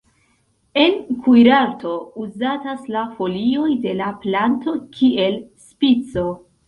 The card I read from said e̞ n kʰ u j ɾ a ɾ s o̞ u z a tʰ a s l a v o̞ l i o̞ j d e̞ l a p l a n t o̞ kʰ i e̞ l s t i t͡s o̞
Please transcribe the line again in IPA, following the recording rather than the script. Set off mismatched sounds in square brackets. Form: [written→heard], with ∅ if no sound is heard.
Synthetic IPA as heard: e̞ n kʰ u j ɾ a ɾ [s→t] o̞ u z a [tʰ→t] a s l a [v→f] o̞ l i o̞ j d e̞ l a p l a n t o̞ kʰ i e̞ l s [t→p] i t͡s o̞